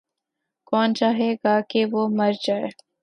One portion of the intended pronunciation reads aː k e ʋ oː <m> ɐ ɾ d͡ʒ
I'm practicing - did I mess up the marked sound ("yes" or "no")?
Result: no